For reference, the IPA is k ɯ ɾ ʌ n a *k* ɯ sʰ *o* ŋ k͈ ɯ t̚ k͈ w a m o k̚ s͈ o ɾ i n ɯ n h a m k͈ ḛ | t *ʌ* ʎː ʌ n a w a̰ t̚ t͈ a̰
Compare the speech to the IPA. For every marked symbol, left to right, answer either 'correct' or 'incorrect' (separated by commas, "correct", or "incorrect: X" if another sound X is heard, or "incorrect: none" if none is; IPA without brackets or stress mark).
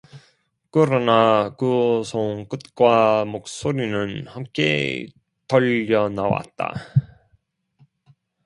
correct, correct, correct